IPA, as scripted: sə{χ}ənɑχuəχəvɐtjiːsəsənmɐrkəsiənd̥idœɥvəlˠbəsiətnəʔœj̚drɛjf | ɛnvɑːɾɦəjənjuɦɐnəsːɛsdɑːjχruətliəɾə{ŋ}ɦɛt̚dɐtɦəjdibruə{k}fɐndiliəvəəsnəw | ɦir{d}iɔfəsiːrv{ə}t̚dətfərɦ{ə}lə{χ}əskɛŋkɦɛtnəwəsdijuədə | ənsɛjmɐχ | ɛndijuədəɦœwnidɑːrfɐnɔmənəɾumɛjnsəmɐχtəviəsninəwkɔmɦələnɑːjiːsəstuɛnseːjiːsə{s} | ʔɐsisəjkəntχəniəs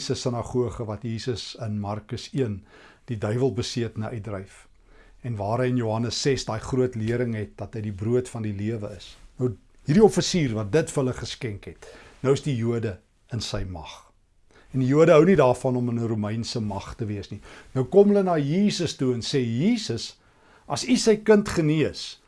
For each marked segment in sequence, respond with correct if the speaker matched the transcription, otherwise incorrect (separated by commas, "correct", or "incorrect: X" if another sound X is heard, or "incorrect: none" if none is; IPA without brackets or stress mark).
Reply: incorrect: s, correct, incorrect: t, correct, incorrect: ɐ, correct, correct, correct